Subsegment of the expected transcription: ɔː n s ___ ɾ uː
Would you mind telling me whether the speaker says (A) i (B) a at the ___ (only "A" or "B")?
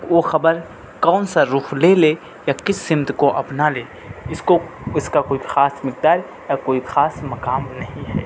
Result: B